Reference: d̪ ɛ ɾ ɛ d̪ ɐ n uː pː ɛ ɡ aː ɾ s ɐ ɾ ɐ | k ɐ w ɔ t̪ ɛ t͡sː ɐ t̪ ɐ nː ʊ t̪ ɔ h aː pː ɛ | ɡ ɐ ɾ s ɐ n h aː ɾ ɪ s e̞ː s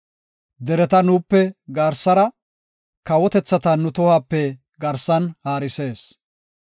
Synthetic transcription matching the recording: d̪ ɛ ɾ ɛ t̪ ɐ n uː pː ɛ ɡ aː ɾ s ɐ ɾ ɐ | k ɐ w ɔ t̪ ɛ t͡sː ɐ t̪ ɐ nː ʊ t̪ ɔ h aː pː ɛ | ɡ ɐ ɾ s ɐ n h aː ɾ ɪ s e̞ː s